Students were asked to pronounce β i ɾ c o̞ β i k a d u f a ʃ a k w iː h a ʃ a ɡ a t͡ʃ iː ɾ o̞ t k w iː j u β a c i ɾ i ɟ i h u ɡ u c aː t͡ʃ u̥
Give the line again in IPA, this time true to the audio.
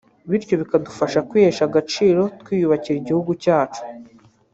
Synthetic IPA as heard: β i ɾ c o̞ β i k a d u f a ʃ a k w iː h e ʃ a ɡ a t͡ʃ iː ɾ o̞ t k w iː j u β a c i ɾ i ɟ i h u ɡ u c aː t͡ʃ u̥